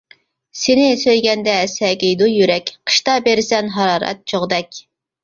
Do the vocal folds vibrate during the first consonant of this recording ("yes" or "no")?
no